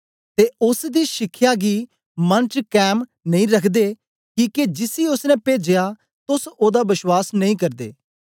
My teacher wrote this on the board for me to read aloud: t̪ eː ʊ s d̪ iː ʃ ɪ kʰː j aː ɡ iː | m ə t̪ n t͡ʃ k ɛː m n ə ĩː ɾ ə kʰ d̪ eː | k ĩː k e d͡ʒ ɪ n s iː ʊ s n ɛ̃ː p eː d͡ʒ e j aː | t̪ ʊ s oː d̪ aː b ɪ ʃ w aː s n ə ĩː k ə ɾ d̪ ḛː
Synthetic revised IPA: t̪ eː ʊ s d̪ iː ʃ ɪ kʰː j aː ɡ iː | m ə n t͡ʃ k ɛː m n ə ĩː ɾ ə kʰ d̪ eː | k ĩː k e d͡ʒ ɪ s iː ʊ s n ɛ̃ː p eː d͡ʒ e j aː | t̪ ʊ s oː d̪ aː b ɪ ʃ w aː s n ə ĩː k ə ɾ d̪ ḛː